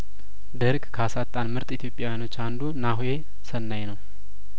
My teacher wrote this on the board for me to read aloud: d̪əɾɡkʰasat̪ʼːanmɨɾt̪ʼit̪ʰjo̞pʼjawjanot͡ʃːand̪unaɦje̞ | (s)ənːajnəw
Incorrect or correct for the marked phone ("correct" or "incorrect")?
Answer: correct